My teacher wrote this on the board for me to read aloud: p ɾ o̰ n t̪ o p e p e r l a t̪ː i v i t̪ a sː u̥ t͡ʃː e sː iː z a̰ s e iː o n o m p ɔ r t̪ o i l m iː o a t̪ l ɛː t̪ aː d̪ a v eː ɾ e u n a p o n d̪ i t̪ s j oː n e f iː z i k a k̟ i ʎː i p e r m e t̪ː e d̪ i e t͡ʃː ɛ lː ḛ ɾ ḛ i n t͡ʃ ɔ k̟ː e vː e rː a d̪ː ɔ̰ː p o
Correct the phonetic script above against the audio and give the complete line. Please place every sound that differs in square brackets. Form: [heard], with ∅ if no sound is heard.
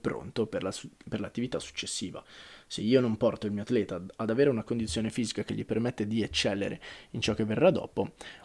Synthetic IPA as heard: p ɾ o̰ n t̪ o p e p e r l a t̪ː i v i t̪ a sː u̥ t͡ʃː e sː iː [v] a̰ s e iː o n o m p ɔ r t̪ o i l m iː o a t̪ l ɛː t̪ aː d̪ a v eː ɾ e u n a [k] o n d̪ i t̪ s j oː n e f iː z i k a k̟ [e] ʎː i p e r m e t̪ː e d̪ i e t͡ʃː ɛ lː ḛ ɾ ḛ i n t͡ʃ ɔ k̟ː e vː e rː a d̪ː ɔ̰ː p o